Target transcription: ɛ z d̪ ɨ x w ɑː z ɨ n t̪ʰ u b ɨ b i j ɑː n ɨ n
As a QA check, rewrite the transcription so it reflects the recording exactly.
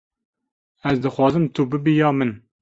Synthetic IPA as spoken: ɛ z d̪ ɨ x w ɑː z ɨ m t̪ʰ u b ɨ b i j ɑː m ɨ n